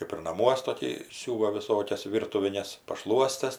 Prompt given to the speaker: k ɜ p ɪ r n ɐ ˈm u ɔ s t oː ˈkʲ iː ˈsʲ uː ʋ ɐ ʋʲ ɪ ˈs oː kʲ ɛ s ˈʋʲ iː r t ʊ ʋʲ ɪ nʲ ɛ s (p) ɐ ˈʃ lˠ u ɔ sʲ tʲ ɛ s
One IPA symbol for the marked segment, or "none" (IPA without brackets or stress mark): p